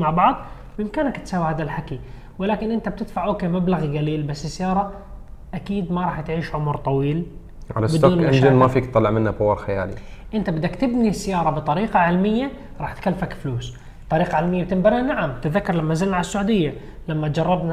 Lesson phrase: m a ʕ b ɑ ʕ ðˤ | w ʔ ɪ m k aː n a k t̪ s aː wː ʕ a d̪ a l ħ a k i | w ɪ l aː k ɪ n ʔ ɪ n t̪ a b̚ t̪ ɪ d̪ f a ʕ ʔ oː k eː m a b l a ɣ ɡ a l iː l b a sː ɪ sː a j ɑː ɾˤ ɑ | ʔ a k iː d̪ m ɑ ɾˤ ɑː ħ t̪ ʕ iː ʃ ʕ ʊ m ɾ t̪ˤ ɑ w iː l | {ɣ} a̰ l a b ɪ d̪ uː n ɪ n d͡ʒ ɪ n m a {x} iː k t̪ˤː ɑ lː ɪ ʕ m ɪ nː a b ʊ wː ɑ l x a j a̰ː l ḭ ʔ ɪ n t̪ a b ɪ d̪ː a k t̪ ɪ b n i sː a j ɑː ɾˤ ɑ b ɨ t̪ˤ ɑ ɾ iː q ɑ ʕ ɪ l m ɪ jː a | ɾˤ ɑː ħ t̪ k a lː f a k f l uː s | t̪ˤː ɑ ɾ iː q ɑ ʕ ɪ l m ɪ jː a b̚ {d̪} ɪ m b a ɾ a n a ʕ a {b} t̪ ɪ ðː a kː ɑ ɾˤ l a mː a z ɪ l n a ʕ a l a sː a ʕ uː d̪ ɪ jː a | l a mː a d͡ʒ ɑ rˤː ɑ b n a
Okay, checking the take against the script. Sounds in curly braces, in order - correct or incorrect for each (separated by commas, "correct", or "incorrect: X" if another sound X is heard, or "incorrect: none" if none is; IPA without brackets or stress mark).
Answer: incorrect: ʕ, incorrect: f, incorrect: t̪, incorrect: m